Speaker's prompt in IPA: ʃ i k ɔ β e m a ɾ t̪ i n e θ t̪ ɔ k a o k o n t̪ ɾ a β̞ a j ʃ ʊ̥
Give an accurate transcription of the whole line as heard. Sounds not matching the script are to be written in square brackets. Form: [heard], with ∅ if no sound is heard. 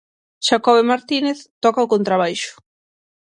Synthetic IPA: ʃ [a] k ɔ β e m a ɾ t̪ i n e θ t̪ ɔ k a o k o n t̪ ɾ a β̞ a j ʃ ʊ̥